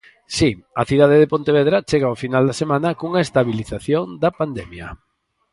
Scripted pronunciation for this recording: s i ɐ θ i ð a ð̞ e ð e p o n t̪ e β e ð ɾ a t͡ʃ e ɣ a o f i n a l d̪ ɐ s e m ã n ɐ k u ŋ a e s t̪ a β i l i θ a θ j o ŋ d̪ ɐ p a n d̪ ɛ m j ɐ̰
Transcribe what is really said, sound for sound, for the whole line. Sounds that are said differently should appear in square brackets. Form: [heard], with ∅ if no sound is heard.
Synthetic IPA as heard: s i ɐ θ i ð a ð̞ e ð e p o n t̪ e β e ð ɾ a t͡ʃ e ɣ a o f i n a l d̪ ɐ s e m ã n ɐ k u ŋ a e s t̪ a β i l i θ a θ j o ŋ d̪ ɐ p a n d̪ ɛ m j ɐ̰